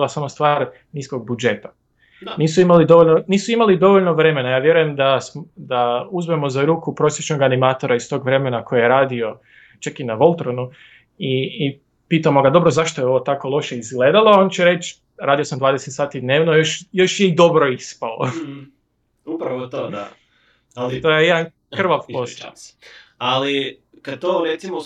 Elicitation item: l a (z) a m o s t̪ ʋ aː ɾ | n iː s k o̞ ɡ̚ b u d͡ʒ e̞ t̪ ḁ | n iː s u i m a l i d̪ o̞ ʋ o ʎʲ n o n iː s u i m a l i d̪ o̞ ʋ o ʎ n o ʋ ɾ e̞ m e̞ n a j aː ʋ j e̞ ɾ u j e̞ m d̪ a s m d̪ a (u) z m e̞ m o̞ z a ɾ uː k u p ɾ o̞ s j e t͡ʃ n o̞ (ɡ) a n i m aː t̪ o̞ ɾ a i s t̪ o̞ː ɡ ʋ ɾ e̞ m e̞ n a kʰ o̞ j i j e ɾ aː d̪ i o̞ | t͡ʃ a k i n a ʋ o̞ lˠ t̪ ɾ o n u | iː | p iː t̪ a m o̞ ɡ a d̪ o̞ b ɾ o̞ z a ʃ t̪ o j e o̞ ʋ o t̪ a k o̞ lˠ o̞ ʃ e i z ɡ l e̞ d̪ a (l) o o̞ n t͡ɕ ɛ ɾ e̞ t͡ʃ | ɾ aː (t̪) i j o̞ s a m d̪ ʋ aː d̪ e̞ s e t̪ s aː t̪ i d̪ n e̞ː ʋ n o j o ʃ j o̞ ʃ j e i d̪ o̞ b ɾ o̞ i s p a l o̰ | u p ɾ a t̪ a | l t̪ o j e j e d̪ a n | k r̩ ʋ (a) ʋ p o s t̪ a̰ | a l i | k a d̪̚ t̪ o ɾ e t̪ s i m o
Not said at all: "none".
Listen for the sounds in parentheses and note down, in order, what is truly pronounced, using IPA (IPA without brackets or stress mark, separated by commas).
s, u, ɡ, l, d̪, a